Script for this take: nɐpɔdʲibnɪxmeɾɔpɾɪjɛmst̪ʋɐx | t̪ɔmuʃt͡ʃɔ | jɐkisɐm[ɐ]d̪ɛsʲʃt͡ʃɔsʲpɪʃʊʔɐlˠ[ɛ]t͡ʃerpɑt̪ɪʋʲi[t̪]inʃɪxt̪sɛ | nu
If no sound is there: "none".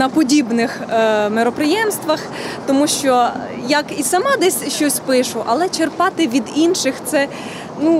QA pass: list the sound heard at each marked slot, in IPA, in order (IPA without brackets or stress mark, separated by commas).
ɑ, ɛ, d̪